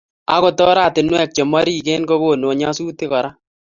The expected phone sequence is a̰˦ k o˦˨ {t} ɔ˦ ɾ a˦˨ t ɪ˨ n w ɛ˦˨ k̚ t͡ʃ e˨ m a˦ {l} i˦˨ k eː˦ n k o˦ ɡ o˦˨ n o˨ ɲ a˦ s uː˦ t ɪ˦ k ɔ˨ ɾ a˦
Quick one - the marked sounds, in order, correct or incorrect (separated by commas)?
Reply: correct, incorrect